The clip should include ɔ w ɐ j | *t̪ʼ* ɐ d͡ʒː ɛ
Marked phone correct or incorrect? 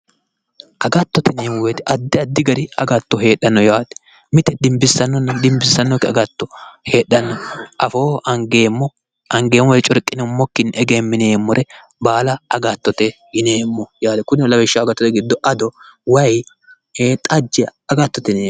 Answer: correct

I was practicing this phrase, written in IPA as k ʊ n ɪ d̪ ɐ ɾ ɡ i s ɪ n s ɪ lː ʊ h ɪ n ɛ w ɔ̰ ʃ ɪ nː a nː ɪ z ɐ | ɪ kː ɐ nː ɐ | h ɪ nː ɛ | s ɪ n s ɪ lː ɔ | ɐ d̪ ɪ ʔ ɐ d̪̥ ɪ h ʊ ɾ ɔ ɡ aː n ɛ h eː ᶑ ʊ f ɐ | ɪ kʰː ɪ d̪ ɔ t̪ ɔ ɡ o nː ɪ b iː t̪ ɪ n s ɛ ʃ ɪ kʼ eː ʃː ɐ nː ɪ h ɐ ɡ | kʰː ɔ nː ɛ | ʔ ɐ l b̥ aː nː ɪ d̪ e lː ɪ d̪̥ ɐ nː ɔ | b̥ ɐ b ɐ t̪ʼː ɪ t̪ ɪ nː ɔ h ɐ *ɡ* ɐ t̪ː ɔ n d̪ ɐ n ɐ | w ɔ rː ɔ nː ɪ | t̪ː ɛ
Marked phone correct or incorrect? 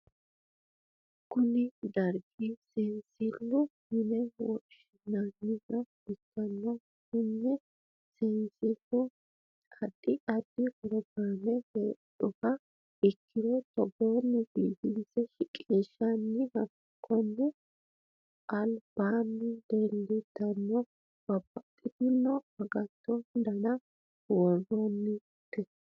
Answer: correct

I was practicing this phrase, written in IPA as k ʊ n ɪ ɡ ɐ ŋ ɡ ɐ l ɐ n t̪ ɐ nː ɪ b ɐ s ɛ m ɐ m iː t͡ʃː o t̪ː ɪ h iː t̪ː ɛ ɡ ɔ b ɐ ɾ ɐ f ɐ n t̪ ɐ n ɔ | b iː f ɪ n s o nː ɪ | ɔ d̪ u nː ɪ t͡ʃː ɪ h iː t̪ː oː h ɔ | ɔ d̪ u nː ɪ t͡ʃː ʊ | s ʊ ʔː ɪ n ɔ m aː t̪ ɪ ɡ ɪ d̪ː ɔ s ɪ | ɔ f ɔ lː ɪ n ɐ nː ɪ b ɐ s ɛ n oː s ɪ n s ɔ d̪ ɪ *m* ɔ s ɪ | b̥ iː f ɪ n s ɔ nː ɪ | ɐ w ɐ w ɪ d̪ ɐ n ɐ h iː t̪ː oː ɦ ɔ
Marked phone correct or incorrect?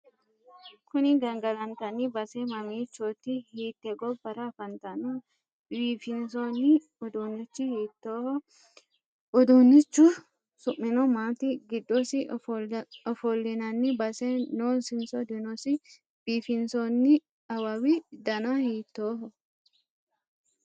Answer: incorrect: n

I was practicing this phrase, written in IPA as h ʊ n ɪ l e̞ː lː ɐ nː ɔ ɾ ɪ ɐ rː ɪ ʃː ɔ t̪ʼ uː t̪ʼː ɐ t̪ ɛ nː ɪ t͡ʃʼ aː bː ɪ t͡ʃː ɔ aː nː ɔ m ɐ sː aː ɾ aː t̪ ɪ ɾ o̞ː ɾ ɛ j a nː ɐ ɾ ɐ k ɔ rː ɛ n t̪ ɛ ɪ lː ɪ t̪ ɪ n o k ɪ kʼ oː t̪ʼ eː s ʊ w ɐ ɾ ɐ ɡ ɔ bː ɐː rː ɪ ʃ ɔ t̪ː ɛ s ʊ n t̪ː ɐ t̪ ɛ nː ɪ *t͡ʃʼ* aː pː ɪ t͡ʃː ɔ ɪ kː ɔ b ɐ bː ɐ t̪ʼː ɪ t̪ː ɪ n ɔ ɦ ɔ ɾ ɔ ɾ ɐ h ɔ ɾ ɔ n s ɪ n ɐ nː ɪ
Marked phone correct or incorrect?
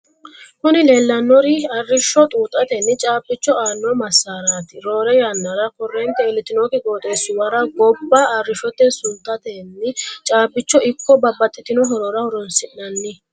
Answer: correct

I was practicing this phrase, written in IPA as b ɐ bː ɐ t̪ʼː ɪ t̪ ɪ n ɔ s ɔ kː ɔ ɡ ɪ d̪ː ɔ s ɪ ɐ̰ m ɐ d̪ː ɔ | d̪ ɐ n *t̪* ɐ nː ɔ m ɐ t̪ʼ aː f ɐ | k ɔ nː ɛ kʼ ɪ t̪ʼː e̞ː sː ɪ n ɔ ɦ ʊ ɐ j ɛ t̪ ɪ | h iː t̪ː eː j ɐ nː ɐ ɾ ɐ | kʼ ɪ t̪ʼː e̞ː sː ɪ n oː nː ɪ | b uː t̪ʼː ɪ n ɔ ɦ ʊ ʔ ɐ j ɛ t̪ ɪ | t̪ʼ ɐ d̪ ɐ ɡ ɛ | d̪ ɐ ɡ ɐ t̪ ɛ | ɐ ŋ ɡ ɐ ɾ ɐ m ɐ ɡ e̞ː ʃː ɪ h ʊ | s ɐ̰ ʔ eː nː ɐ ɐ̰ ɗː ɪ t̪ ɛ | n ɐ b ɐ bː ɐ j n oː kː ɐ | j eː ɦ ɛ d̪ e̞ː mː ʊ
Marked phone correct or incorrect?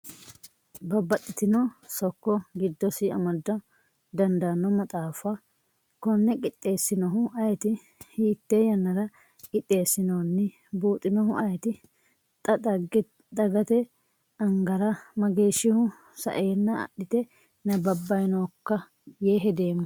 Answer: incorrect: d̪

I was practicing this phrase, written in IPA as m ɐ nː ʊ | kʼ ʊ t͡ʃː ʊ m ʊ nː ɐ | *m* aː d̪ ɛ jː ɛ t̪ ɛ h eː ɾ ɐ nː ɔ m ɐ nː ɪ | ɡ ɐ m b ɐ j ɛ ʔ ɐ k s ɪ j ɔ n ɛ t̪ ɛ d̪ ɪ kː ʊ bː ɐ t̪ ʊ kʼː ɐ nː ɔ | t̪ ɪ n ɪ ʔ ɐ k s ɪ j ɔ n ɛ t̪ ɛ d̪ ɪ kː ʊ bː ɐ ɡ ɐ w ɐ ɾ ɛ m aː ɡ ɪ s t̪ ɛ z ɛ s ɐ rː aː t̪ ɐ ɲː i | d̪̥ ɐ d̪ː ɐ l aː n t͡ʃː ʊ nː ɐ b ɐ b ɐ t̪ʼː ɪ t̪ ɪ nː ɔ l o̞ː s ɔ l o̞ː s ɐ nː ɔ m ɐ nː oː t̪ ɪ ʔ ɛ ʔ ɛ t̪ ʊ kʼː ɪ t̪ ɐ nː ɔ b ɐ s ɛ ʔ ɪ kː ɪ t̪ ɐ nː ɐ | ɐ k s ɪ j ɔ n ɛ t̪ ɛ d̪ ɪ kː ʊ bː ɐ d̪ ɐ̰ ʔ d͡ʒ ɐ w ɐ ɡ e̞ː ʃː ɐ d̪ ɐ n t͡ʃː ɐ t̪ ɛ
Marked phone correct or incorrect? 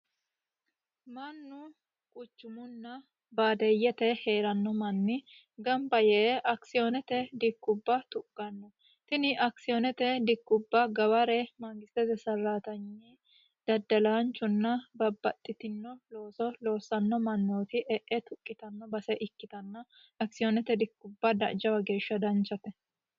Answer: incorrect: b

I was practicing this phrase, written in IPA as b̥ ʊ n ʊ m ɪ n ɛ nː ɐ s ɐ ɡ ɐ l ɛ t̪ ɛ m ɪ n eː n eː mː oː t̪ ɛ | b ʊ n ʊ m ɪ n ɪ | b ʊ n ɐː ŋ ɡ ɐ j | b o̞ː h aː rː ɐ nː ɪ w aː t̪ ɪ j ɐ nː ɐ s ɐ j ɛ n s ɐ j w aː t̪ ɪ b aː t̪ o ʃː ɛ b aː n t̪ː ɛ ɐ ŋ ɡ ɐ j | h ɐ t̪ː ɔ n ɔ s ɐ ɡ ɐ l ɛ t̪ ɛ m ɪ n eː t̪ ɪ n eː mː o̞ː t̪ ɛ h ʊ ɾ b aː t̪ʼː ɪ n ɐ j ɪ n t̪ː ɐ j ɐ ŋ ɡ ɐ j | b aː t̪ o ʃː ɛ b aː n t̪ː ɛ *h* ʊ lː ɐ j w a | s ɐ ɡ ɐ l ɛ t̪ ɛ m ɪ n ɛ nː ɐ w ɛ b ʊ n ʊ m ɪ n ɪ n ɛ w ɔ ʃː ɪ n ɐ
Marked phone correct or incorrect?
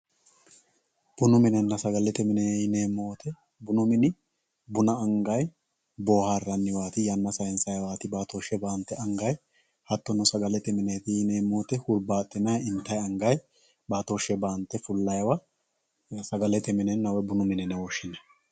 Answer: incorrect: f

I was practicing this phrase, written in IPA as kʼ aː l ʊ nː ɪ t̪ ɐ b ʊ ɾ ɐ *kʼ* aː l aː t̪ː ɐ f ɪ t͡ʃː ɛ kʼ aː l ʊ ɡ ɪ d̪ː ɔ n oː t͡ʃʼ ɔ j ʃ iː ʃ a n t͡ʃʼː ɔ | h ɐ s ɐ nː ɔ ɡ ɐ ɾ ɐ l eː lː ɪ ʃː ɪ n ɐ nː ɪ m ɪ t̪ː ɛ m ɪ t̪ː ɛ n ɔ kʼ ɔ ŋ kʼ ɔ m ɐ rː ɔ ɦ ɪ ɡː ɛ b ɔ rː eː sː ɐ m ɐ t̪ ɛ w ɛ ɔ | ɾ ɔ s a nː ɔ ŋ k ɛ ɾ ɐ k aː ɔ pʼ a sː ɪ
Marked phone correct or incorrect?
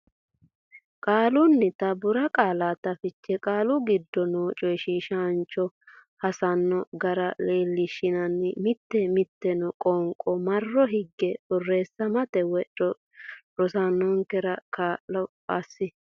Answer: correct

